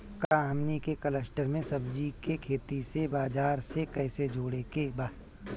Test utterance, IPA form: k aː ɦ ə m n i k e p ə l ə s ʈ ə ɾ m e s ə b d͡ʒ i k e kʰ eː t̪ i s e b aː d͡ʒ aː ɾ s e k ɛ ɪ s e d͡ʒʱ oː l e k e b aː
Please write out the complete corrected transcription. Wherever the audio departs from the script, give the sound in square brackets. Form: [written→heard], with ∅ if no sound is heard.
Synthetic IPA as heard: k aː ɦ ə m n i k e [p→k] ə l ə s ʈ ə ɾ m [e→ẽ] s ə b d͡ʒ i k e kʰ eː t̪ i s e b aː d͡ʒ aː ɾ s e k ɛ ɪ s e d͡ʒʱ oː [l→ɽ] e k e b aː